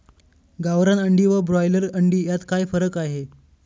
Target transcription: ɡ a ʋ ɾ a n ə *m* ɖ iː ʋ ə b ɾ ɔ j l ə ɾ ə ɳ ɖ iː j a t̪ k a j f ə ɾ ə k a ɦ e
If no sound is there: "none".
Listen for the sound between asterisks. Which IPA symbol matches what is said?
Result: ɳ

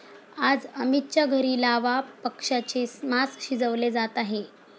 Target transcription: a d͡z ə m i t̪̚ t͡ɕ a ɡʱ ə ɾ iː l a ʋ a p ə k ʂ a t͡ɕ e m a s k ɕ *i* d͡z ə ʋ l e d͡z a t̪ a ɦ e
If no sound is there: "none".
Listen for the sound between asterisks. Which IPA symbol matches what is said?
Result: i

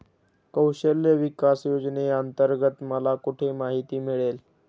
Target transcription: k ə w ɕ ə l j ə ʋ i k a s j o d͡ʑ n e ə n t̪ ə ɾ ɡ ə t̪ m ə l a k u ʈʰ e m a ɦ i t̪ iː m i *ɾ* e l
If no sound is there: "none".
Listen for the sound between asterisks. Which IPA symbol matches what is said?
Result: ɭ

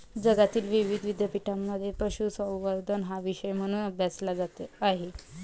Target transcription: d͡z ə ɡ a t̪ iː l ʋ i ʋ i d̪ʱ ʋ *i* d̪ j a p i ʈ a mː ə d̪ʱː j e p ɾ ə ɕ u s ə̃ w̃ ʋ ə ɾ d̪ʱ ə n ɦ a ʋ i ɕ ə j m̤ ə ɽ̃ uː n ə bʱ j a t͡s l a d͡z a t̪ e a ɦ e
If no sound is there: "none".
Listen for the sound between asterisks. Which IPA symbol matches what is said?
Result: i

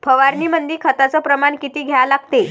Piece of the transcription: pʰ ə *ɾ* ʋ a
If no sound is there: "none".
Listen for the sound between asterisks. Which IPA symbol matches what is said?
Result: none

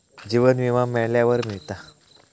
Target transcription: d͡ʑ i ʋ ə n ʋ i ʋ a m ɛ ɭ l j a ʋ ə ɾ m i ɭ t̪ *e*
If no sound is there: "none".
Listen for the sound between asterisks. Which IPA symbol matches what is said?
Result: a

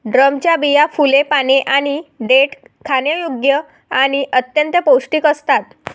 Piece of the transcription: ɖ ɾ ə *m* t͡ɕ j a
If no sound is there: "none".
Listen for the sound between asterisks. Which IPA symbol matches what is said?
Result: m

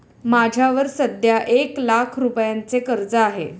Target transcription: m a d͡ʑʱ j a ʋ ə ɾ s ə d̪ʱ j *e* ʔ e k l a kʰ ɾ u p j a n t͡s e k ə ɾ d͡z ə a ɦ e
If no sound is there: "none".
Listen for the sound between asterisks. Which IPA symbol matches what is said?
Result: a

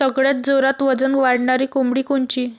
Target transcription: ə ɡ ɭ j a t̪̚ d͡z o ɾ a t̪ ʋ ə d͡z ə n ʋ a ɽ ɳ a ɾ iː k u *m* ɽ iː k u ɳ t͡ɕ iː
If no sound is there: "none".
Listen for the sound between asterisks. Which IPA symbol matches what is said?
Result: m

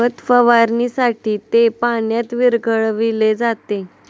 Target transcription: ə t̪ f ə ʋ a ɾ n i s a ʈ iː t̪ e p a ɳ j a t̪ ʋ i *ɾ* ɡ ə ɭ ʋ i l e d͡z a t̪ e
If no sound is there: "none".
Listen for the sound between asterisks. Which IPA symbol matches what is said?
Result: ɾ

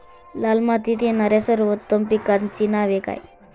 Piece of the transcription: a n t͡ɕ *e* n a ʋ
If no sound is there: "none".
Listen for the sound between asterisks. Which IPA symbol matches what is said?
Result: i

